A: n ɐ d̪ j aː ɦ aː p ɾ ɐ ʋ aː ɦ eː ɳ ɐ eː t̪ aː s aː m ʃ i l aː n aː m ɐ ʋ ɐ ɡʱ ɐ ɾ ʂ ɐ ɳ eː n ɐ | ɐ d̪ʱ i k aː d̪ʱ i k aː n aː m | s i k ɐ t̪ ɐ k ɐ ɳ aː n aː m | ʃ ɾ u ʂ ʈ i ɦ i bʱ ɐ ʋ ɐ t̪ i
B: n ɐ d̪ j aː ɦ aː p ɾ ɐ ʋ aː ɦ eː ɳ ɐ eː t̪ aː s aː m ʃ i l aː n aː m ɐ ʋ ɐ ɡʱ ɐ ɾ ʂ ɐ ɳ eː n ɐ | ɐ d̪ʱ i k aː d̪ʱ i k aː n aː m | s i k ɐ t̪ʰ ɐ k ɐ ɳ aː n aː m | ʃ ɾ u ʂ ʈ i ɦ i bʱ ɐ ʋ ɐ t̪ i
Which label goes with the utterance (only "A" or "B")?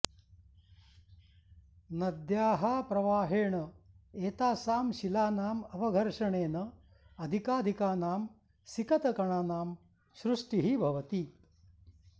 A